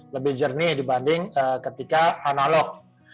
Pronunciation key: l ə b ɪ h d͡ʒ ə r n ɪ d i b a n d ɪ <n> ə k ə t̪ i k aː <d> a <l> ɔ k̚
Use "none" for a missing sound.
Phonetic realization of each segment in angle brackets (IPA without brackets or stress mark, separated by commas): ŋ, n, l